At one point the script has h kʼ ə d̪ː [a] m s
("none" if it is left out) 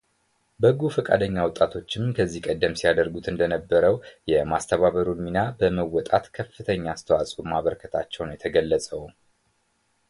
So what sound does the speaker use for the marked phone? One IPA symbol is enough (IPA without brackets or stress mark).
ə